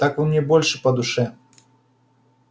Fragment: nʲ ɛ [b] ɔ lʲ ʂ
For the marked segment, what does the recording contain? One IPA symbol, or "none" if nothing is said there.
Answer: b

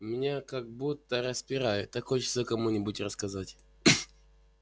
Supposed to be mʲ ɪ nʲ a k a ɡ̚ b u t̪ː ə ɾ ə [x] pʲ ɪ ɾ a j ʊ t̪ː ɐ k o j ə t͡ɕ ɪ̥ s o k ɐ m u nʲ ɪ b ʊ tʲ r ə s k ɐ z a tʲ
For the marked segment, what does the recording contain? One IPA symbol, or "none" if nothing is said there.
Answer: s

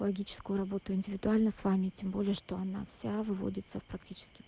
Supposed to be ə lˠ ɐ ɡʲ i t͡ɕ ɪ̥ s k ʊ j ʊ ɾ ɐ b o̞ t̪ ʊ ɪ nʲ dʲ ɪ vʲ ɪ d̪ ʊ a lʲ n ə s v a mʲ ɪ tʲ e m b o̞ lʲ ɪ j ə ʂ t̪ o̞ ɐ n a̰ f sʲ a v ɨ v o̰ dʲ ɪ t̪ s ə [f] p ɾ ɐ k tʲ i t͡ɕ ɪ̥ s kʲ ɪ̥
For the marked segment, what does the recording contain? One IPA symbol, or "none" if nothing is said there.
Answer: f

